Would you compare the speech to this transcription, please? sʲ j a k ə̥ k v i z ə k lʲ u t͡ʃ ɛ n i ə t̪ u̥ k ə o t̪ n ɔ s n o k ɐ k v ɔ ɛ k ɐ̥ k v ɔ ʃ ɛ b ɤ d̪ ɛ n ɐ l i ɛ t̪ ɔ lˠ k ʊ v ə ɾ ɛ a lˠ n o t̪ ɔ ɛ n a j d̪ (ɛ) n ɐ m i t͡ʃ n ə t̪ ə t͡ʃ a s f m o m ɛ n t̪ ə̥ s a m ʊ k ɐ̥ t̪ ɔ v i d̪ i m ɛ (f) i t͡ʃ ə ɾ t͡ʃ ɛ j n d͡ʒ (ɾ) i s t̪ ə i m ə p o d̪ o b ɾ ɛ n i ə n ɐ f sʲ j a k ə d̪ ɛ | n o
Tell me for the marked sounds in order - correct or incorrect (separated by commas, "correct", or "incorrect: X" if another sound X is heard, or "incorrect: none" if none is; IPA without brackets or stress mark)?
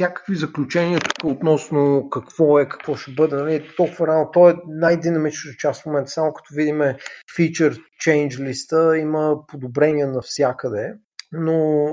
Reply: incorrect: i, correct, incorrect: l